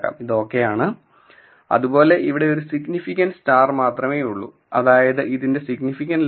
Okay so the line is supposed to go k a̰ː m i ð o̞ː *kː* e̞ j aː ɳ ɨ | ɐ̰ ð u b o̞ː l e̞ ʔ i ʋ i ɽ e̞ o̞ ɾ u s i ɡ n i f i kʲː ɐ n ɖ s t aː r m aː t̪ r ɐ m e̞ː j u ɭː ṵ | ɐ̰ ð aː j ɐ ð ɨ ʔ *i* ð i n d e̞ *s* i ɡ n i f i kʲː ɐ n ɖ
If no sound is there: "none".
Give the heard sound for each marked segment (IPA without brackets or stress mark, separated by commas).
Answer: kː, i, s